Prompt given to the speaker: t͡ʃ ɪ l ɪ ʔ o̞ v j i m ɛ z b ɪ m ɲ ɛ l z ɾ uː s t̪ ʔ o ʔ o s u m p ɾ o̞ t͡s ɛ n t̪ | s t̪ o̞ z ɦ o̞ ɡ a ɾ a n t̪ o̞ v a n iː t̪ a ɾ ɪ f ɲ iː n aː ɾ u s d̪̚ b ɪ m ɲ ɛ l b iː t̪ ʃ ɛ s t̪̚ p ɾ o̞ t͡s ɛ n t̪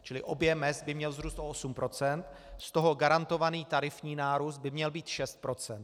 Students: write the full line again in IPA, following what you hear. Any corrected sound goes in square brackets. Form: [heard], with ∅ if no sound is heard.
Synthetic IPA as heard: t͡ʃ ɪ l ɪ ʔ o̞ [b] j [ɛ] m ɛ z b ɪ m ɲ ɛ l z ɾ uː s t̪ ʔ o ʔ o s u m p ɾ o̞ t͡s ɛ n t̪ | s t̪ o̞ [∅] ɦ o̞ ɡ a ɾ a n t̪ o̞ v a n iː t̪ a ɾ ɪ f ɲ iː n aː ɾ u s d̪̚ b ɪ m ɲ ɛ l b iː t̪ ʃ ɛ s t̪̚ p ɾ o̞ t͡s ɛ n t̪